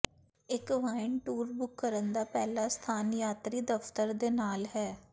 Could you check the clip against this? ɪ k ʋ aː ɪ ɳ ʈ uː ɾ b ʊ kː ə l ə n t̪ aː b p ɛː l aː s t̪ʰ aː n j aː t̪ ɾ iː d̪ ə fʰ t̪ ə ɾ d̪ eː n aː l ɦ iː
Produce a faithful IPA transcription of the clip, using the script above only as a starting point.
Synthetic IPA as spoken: ɪ k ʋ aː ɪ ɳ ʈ uː ɾ b ʊ kː ə ɾ ə n d̪ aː p ɛː l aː s t̪ʰ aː n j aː t̪ ɾ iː d̪ ə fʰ t̪ ə ɾ d̪ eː n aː l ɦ ɛː

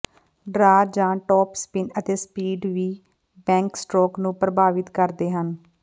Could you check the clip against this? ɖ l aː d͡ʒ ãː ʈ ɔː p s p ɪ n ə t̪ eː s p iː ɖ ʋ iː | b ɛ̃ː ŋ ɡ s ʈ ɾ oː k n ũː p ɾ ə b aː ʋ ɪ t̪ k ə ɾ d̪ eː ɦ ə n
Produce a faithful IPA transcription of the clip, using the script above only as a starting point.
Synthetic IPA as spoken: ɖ ɾ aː d͡ʒ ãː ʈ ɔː p s p ɪ n ə t̪ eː s p iː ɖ ʋ iː | b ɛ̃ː ŋ k s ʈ ɾ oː k n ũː p ɾ ə b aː ʋ ɪ t̪ k ə ɾ d̪ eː ɦ ə n

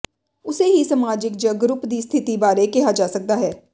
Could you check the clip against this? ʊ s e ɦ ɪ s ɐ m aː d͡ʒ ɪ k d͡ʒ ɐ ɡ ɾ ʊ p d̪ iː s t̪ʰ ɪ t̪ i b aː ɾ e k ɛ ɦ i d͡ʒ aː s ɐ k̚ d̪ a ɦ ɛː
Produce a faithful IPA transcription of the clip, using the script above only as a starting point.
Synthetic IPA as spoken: ʊ s e ɦ i s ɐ m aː d͡ʒ ɪ k d͡ʒ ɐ ɡ ɾ ʊ p d̪ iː s t̪ʰ ɪ t̪ i b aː ɾ e k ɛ ɦ a d͡ʒ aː s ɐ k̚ d̪ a ɦ ɛː

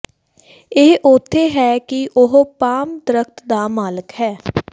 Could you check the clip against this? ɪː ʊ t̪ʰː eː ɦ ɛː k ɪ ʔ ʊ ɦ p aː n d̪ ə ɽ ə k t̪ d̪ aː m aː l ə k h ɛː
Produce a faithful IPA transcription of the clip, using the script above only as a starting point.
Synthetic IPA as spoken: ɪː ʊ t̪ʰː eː ɦ ɛː k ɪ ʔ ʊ ɦ p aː m d̪ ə ɾ ə k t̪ d̪ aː m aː l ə k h ɛː

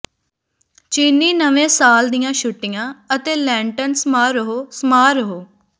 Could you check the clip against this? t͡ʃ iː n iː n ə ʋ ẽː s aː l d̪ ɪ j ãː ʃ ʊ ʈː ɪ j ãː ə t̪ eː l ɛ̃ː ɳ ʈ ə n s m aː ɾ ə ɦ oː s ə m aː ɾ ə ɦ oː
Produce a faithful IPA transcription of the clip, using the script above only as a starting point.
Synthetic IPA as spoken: t͡ʃ iː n iː n ə ʋ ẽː s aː l d̪ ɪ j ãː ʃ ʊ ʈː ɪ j ãː ə t̪ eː l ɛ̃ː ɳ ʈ ə n s m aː ɾ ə ɦ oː s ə m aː ɾ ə ɦ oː

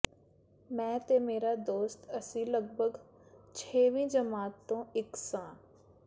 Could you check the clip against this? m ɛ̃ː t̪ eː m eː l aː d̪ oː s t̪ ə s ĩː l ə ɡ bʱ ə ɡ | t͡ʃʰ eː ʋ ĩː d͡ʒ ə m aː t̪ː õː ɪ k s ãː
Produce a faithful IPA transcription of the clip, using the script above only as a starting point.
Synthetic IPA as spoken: m ɛ̃ː t̪ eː m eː ɾ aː d̪ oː s t̪ ə s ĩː l ə ɡ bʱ ə ɡ | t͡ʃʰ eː ʋ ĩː d͡ʒ ə m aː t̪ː õː ɪ k s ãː

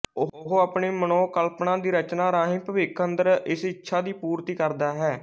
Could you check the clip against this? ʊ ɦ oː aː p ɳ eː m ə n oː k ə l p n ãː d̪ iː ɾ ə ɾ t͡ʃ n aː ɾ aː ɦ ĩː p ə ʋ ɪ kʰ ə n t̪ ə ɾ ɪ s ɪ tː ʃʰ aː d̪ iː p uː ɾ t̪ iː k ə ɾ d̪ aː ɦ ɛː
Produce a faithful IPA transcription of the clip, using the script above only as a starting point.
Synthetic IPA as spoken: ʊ ɦ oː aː p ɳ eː m ə n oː k ə l p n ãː d̪ iː ɾ ə t͡ʃ n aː ɾ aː ɦ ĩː p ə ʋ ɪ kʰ ə n d̪ ə ɾ ɪ s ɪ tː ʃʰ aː d̪ iː p uː ɾ t̪ iː k ə ɾ d̪ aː ɦ ɛː

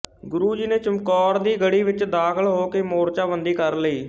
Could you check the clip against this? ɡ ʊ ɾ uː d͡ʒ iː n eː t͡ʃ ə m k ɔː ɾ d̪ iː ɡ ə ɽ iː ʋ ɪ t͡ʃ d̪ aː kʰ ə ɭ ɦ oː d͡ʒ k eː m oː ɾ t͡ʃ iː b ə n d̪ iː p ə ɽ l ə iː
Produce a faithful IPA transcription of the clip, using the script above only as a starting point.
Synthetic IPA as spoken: ɡ ʊ ɾ uː d͡ʒ iː n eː t͡ʃ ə m k ɔː ɾ d̪ iː ɡ ə ɽ iː ʋ ɪ t͡ʃ d̪ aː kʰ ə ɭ ɦ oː k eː m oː ɾ t͡ʃ aː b ə n d̪ iː k ə ɾ l ə iː

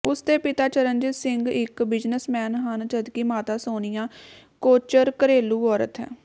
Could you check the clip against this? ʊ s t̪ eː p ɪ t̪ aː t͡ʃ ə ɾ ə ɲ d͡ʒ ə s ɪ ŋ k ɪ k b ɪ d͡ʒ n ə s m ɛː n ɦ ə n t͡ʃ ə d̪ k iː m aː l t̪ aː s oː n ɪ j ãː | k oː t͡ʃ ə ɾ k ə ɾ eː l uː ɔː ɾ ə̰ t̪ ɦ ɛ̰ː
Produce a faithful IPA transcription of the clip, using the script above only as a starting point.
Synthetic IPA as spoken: ʊ s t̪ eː p ɪ t̪ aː t͡ʃ ə ɾ ə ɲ d͡ʒ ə s ɪ ŋ ɡ ɪ k b ɪ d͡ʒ n ə s m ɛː n ɦ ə n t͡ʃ ə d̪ k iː m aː t̪ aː s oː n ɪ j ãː | k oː t͡ʃ ə ɾ k ə ɾ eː l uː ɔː ɾ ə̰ t̪ ɦ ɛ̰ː

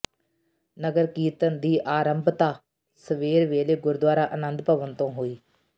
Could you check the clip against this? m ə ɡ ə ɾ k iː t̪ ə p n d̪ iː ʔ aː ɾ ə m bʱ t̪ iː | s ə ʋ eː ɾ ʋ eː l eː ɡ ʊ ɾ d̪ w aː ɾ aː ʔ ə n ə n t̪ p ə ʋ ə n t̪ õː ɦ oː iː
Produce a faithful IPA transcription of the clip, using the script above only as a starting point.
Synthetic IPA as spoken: n ə ɡ ə ɾ k iː t̪ ə n d̪ iː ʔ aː ɾ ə m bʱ t̪ aː | s ə ʋ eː ɾ ʋ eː l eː ɡ ʊ ɾ d̪ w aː ɾ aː ʔ ə n ə n d̪ p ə ʋ ə n t̪ õː ɦ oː iː

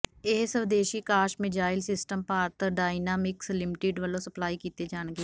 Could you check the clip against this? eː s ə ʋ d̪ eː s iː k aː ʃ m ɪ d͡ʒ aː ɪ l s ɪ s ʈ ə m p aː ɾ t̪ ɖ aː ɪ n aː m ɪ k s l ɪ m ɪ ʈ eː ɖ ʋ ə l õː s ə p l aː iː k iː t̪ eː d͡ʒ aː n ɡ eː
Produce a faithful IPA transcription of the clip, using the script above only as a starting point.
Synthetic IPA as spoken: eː s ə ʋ d̪ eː ʃ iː k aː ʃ m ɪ d͡ʒ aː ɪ l s ɪ s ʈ ə m p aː ɾ t̪ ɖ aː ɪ n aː m ɪ k s l ɪ m ɪ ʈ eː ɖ ʋ ə l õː s ə p l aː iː k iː t̪ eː d͡ʒ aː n ɡ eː

